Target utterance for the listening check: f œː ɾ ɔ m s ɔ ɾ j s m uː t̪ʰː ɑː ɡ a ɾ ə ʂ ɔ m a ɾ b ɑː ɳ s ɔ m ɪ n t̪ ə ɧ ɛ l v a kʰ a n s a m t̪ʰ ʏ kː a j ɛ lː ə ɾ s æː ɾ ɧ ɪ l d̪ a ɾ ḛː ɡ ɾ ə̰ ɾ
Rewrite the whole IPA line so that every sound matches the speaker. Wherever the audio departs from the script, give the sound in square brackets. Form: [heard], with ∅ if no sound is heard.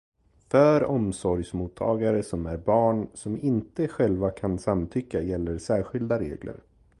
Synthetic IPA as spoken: f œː ɾ ɔ m s ɔ ɾ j s m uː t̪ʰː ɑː ɡ a ɾ ə [s] ɔ m [æ] ɾ b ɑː ɳ s ɔ m ɪ n t̪ ə ɧ ɛ l v a kʰ a n s a m t̪ʰ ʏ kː a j ɛ lː ə ɾ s æː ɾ ɧ ɪ l d̪ a ɾ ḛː ɡ [l] ə̰ ɾ